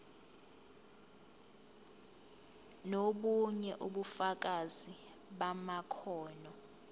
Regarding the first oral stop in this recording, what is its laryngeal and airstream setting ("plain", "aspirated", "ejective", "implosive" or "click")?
implosive